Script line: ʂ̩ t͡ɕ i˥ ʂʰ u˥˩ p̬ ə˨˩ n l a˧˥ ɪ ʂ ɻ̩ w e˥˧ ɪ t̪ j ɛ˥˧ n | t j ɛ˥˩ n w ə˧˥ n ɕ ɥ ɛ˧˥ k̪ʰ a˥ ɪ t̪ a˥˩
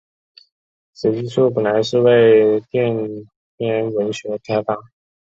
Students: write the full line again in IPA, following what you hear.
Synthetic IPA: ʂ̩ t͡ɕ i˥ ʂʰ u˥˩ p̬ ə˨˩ n l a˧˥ ɪ ʂ ɻ̩ w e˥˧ ɪ t̪ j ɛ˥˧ n | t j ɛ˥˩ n w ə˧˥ n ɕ ɥ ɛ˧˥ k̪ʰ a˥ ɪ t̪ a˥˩